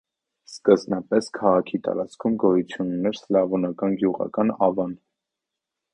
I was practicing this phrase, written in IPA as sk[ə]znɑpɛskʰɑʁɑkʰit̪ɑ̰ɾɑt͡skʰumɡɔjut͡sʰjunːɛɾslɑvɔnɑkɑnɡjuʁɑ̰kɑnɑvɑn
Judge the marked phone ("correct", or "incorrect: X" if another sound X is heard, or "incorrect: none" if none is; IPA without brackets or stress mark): correct